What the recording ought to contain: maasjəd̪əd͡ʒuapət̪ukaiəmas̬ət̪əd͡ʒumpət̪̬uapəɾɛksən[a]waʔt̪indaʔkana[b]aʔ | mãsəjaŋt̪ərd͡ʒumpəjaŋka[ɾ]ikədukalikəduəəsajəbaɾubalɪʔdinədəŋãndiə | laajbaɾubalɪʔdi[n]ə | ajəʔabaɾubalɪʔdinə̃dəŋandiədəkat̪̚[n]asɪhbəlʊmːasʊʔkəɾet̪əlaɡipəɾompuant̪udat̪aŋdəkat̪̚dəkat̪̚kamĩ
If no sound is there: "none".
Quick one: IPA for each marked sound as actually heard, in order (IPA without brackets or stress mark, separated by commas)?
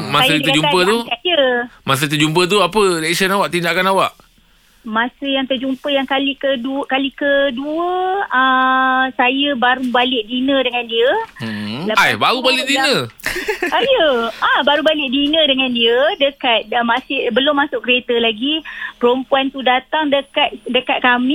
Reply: a, w, l, n, m